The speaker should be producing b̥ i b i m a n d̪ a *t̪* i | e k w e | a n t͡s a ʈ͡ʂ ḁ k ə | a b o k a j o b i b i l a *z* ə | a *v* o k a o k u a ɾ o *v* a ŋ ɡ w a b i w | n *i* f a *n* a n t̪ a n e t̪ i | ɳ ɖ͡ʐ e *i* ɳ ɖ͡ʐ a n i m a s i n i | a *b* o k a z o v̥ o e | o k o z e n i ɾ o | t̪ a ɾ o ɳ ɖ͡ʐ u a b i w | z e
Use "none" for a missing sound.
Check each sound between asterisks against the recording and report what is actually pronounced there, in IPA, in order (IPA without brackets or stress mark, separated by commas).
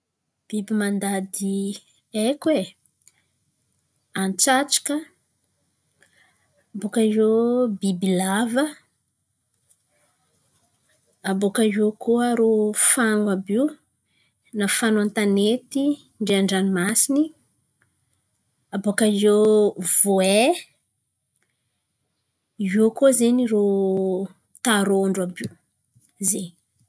d̪, v, b, f, a, n, a, b